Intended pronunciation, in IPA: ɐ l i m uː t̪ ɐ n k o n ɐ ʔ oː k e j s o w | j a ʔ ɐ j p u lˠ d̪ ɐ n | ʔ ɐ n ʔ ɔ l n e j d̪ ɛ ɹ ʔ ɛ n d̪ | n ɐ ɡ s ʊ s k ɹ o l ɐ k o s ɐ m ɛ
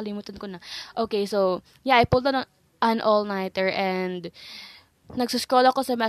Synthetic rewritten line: ɐ l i m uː t̪ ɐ n k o n ɐ ʔ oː k e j s o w | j a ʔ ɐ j p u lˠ d̪ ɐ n | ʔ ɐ n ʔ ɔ l n a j t̪ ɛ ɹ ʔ ɛ n d̪ | n ɐ ɡ s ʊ s k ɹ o l ɐ k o s ɐ m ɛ